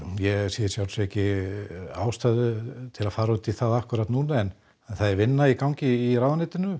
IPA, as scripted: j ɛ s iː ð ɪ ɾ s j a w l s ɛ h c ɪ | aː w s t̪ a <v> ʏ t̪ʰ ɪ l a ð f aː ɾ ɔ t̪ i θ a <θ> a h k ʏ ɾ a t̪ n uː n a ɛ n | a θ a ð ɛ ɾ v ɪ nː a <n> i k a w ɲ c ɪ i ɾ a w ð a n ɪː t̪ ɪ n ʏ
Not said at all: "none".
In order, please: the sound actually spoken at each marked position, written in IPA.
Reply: ð, ð, none

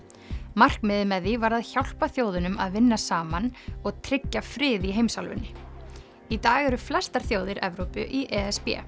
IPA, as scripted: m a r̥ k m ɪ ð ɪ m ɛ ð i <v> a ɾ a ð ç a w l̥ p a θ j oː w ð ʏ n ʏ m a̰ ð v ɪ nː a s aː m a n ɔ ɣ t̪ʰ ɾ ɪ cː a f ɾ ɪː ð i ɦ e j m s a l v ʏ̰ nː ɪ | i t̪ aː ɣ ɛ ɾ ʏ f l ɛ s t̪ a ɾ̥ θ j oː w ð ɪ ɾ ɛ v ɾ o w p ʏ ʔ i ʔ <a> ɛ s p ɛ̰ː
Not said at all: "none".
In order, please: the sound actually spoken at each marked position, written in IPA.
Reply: v, ɛ

